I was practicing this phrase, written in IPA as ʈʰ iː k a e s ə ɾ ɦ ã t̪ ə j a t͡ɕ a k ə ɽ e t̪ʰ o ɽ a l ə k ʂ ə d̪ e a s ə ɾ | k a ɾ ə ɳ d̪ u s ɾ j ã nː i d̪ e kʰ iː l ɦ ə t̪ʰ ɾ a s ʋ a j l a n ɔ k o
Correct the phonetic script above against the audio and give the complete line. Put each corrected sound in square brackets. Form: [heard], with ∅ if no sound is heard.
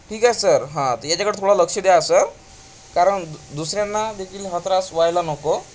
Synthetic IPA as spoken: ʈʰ iː k a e s ə ɾ ɦ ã t̪ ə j a t͡ɕ a k ə ɽ e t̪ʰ o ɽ a l ə k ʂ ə d̪ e a s ə ɾ | k a ɾ ə ɳ d̪ u s ɾ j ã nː [a] d̪ e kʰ iː l ɦ ə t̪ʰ ɾ a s ʋ a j l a n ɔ k o

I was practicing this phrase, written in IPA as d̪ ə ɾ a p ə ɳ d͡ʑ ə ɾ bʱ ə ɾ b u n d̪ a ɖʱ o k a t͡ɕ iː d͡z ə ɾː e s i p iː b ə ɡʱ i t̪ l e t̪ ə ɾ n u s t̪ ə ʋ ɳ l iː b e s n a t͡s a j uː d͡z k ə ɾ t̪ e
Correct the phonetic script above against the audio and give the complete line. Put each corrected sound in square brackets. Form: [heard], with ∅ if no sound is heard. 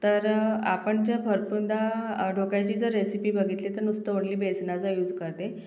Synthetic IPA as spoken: [t̪] ə ɾ a p ə ɳ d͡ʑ ə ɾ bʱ ə ɾ [p] u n d̪ a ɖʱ o k a t͡ɕ iː d͡z ə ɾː e s i p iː b ə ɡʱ i t̪ l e t̪ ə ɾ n u s t̪ ə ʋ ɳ l iː b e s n a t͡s a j uː d͡z k ə ɾ t̪ e

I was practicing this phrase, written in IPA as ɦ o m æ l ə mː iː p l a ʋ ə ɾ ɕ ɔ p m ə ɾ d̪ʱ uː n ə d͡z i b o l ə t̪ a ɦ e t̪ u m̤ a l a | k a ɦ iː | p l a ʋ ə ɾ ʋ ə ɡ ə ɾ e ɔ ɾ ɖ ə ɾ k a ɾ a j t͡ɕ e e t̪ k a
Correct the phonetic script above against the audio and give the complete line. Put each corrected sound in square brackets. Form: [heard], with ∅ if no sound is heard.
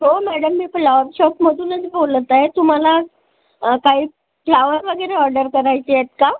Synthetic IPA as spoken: ɦ o m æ [ɽ] ə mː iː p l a ʋ ə ɾ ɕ ɔ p m ə [∅] d̪ʱ uː n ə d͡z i b o l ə t̪ a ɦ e t̪ u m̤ a l a | k a ɦ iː | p l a ʋ ə ɾ ʋ ə ɡ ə ɾ e ɔ ɾ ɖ ə ɾ k [ə] ɾ a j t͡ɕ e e t̪ k a

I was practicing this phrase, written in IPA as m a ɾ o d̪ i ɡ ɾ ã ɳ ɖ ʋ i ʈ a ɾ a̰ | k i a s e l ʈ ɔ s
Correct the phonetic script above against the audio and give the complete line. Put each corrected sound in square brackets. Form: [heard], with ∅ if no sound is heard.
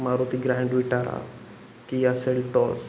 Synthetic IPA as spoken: m a ɾ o [t̪] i ɡ ɾ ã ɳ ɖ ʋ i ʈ a ɾ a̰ | k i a s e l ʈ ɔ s

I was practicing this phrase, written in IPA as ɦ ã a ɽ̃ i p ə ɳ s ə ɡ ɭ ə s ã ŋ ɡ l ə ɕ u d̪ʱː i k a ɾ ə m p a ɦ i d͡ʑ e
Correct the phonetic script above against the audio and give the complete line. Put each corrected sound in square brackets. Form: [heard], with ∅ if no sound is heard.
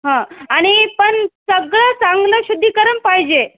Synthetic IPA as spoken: ɦ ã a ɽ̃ i p ə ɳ s ə ɡ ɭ ə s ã ŋ ɡ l ə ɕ u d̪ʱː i k [ə] ɾ ə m p a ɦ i d͡ʑ e

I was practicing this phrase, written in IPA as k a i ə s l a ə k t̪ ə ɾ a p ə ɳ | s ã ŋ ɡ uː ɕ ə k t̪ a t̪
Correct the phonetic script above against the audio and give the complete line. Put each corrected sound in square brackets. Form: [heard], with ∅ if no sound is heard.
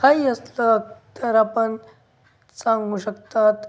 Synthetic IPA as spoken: k a i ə s l [ə] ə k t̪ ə ɾ a p ə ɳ | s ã ŋ ɡ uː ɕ ə k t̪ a t̪

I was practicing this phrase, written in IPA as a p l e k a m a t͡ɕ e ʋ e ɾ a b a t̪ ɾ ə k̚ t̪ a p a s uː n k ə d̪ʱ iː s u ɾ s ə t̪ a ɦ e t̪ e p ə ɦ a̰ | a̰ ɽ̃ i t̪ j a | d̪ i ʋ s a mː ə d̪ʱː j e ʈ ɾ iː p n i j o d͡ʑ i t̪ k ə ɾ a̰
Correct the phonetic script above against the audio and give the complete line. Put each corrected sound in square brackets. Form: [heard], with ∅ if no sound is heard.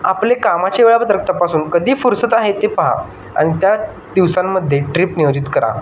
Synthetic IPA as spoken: a p l e k a m a t͡ɕ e ʋ e [ɭ] a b [ə] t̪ ɾ ə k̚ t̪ a p a s uː n k ə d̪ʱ iː [f] u ɾ s ə t̪ a ɦ e t̪ e p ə ɦ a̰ | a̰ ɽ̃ i t̪ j a | d̪ i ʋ s a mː ə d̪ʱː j e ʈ ɾ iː p n i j o d͡ʑ i t̪ k ə ɾ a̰

